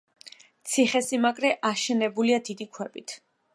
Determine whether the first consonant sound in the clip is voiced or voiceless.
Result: voiceless